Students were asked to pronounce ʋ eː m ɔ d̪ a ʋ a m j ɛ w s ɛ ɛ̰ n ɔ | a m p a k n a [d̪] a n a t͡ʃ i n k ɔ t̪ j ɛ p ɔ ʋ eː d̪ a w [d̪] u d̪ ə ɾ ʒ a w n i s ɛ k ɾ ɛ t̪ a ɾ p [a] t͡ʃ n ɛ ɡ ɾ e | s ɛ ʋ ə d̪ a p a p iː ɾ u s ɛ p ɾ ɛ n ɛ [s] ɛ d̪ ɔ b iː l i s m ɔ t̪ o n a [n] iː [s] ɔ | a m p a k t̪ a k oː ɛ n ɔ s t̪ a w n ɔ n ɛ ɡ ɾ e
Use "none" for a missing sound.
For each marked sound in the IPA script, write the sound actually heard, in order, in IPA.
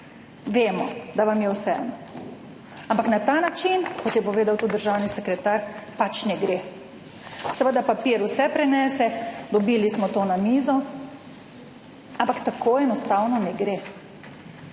t̪, t̪, a, s, m, z

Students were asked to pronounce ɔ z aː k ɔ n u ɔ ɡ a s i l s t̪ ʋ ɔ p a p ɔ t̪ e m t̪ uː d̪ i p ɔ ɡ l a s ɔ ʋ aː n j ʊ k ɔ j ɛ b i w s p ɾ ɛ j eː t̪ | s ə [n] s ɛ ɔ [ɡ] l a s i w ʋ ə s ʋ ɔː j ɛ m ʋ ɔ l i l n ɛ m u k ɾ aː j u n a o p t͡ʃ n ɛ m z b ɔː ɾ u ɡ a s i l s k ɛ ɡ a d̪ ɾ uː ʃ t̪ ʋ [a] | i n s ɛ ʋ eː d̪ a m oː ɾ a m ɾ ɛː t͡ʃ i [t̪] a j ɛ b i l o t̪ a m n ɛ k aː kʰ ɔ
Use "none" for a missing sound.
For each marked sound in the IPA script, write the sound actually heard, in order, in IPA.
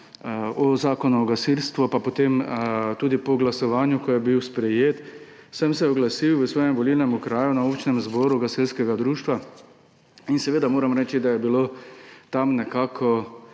m, ɡ, a, d̪

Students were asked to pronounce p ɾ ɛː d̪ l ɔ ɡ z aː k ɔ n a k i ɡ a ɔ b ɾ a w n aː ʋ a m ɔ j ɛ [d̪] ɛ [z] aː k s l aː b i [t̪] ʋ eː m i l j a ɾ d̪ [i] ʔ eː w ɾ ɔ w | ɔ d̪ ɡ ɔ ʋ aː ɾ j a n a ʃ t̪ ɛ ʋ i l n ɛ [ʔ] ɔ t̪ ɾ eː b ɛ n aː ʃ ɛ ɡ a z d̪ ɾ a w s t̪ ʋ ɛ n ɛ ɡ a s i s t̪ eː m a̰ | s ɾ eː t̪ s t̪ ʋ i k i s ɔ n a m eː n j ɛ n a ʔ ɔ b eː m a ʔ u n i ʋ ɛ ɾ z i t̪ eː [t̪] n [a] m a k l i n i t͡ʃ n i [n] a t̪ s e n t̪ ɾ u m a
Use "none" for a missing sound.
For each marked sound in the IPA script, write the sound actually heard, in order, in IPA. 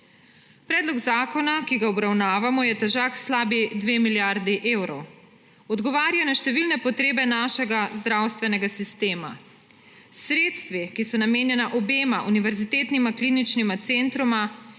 t̪, ʒ, d̪, i, p, t̪, i, m

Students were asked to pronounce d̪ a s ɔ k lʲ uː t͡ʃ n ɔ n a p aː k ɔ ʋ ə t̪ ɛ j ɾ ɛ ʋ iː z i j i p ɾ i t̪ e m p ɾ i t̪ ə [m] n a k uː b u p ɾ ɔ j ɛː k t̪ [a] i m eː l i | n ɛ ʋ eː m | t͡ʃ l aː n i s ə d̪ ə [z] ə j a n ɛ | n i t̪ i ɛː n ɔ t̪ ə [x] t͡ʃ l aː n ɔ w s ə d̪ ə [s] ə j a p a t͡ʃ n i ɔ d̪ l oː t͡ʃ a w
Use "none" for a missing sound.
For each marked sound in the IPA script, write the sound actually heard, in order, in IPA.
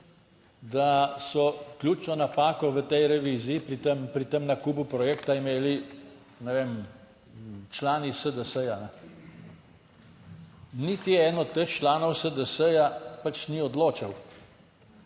m, a, s, x, s

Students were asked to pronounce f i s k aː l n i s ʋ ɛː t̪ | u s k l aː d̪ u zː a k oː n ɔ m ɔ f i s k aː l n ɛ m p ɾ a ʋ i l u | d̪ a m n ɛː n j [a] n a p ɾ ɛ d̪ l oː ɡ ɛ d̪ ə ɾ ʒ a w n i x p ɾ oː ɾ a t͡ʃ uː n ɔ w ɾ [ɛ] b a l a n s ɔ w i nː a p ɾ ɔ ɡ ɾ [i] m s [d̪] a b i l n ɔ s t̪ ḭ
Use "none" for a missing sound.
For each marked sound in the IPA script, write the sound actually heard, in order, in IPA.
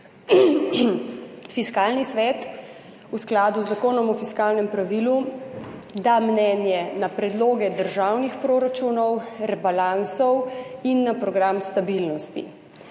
ɛ, ɛ, a, t̪

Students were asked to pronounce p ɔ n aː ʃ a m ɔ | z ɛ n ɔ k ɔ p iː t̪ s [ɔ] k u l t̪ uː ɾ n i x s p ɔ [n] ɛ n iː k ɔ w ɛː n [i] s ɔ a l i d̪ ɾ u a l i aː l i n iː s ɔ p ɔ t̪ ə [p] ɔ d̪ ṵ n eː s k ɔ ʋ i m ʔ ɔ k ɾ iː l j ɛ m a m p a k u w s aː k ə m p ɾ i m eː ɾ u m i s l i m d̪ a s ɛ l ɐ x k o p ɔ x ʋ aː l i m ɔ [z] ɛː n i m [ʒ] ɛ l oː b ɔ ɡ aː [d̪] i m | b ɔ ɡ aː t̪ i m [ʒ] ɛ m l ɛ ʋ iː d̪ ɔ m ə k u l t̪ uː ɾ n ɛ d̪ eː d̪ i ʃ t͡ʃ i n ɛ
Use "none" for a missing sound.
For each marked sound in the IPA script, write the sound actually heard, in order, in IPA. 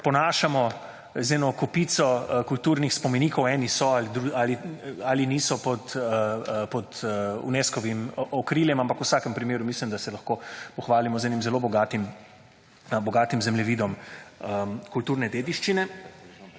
ɔ, m, i, p, z, z, t̪, z

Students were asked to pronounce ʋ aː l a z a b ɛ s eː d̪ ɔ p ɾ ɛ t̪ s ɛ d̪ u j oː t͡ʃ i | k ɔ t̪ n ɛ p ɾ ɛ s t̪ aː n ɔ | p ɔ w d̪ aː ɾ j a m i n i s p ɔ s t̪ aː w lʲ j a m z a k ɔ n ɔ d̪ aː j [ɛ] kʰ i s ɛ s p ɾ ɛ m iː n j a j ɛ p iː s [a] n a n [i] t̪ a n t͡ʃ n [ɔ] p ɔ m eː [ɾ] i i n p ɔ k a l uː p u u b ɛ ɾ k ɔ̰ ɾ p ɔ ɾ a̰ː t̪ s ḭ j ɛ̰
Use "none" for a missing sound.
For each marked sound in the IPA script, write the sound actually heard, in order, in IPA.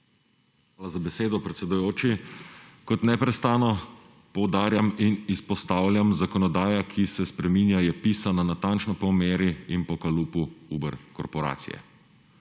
a, a, a, ɔ, ɾ

